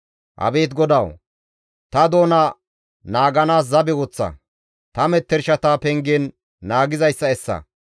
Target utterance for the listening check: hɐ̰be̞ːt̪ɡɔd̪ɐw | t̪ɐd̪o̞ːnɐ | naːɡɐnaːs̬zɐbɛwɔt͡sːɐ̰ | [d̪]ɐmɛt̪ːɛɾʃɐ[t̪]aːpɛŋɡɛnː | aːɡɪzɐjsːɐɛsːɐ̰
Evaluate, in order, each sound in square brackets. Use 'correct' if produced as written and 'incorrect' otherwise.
incorrect, correct

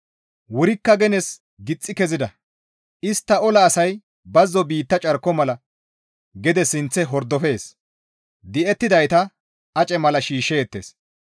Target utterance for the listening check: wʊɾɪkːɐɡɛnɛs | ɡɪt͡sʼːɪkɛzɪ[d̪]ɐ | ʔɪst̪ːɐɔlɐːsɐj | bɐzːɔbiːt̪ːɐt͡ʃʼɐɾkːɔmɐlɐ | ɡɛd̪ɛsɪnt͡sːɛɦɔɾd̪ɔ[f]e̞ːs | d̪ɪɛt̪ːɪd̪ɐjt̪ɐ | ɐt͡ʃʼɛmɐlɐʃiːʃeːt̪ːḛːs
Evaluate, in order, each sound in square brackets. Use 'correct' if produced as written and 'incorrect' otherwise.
correct, correct

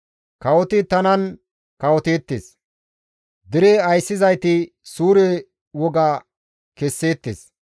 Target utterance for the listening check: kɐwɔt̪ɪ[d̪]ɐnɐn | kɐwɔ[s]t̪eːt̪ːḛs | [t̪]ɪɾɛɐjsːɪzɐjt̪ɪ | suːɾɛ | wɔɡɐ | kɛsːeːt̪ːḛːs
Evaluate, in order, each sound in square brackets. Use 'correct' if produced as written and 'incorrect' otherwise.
incorrect, incorrect, incorrect

